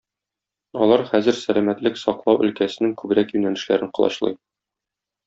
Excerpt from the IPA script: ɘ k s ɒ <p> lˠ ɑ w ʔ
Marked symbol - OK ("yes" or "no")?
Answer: no